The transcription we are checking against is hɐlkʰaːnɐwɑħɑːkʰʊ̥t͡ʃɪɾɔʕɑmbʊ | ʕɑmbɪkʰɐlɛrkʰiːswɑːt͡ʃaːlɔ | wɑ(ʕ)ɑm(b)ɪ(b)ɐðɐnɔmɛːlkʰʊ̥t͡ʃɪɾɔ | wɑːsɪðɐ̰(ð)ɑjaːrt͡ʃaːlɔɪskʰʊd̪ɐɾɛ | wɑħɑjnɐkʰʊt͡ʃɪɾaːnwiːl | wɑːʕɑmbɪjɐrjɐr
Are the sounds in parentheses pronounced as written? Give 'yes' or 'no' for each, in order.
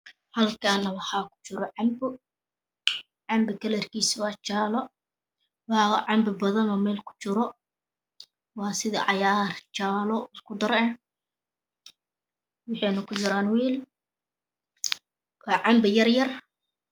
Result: yes, yes, yes, no

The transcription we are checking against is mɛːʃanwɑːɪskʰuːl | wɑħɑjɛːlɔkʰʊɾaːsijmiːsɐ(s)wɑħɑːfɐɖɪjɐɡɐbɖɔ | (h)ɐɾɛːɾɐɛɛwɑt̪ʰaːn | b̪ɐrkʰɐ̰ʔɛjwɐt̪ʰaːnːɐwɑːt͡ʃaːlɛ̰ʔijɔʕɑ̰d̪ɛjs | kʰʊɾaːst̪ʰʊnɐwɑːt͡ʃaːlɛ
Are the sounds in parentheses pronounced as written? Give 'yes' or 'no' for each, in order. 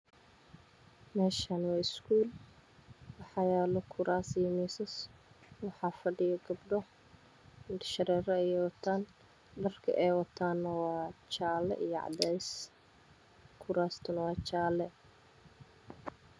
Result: yes, no

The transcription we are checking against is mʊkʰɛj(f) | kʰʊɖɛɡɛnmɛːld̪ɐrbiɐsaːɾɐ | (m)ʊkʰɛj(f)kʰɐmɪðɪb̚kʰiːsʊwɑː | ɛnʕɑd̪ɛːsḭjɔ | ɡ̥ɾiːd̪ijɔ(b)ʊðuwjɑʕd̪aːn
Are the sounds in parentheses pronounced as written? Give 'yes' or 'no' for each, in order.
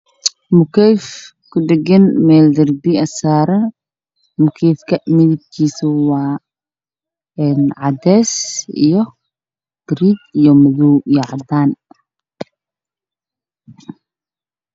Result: yes, yes, yes, no

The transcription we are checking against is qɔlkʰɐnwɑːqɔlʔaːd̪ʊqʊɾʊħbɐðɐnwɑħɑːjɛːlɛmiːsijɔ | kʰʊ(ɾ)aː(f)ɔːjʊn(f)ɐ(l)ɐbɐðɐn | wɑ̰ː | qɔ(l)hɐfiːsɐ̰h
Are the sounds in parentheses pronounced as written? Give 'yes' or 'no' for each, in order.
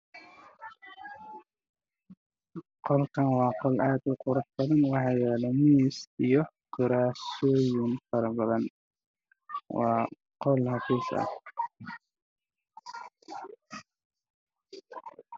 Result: yes, no, yes, no, yes

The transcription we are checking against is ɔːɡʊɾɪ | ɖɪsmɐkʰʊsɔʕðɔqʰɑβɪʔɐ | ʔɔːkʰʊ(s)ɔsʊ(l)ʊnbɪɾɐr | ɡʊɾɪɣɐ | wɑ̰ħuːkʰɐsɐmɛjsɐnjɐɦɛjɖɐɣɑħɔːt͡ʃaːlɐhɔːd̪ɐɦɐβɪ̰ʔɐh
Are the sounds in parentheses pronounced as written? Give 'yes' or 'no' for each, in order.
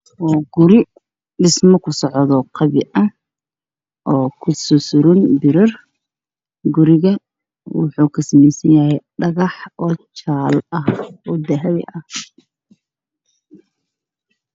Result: yes, no

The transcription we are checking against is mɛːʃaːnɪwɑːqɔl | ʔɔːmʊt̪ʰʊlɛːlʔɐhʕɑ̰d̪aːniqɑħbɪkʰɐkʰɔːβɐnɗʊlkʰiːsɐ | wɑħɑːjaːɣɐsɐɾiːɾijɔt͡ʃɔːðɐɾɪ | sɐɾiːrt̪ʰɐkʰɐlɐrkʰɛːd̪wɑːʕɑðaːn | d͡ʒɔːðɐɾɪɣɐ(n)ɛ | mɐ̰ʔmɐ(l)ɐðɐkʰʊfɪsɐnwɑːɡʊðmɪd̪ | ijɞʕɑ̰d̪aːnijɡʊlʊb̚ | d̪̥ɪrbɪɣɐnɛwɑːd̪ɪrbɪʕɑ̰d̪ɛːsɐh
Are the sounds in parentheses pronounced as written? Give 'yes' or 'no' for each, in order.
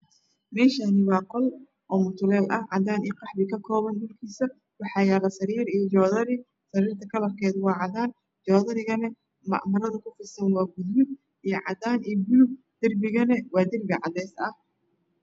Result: yes, no

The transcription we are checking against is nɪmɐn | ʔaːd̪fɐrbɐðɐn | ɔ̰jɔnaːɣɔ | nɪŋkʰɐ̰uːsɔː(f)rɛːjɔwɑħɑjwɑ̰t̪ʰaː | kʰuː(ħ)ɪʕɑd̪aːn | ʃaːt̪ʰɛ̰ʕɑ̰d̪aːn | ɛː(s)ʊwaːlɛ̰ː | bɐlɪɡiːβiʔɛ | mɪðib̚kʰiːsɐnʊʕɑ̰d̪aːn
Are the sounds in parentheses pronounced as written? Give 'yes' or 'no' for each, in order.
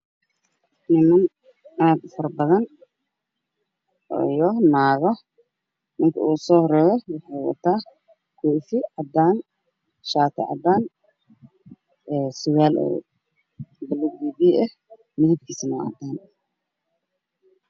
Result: no, no, yes

